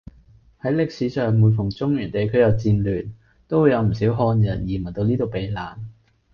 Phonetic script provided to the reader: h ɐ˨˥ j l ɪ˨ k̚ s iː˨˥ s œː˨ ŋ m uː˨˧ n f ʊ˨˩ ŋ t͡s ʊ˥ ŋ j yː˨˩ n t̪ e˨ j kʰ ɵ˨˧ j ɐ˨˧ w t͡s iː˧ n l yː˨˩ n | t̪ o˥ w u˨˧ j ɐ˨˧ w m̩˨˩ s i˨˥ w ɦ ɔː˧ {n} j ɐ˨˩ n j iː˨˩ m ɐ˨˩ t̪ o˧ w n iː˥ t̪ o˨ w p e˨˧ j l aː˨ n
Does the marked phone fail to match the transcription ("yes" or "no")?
no